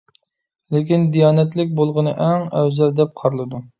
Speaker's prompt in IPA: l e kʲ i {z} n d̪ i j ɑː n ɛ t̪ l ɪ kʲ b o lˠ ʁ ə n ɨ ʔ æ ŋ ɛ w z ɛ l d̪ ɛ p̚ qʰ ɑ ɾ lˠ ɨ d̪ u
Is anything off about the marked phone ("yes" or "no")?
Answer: yes